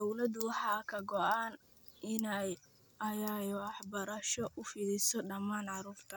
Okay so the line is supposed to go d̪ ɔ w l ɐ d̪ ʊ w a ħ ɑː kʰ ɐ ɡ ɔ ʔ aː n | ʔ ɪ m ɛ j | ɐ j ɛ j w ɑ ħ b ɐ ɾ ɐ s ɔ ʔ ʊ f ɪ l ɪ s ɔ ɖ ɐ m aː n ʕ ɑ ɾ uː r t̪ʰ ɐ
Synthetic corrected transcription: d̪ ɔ w l ɐ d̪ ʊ w ɑ ħ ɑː kʰ ɐ ɡ ɔ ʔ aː n | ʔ ɪ n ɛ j | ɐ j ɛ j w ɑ ħ b ɐ ɾ ɐ ʃ ɔ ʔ ʊ f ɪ l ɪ s ɔ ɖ ɐ m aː n ʕ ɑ ɾ uː r t̪ʰ ɐ